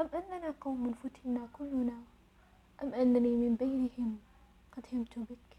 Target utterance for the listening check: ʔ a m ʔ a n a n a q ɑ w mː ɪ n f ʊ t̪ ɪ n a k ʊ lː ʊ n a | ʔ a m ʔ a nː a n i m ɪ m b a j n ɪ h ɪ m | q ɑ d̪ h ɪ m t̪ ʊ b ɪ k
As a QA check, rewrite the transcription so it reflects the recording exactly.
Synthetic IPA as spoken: ʔ a m ʔ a nː a n a q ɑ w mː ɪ n f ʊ t̪ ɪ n a k ʊ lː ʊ n a | ʔ a m ʔ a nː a n i m ɪ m b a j n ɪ h ɪ m | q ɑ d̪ h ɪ m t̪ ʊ b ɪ k